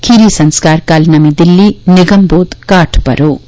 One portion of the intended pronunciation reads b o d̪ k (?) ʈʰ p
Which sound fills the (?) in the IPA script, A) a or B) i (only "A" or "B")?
A